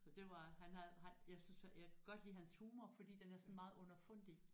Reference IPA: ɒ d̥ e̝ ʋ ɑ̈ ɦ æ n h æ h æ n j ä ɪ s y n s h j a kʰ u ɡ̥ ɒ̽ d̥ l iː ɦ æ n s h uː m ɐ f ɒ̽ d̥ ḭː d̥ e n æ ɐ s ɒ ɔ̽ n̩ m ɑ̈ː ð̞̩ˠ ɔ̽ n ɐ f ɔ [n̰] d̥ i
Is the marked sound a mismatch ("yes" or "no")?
no